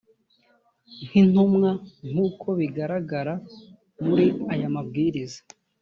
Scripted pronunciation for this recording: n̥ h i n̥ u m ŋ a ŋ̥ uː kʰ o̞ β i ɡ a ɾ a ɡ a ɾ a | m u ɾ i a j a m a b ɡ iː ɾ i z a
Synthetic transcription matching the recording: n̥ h i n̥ u m ŋ a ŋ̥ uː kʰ o̞ β i ɡ a ɾ a ɡ a ɾ a | m u ɾ i a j a m a b ɡ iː ɾ i z a